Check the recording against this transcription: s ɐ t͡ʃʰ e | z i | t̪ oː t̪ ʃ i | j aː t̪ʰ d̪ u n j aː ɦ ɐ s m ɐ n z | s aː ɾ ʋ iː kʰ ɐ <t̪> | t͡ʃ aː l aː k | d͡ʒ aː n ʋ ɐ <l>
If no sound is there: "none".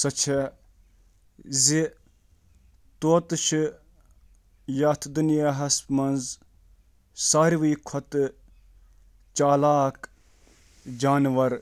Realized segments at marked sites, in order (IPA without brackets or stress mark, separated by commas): t̪, ɾ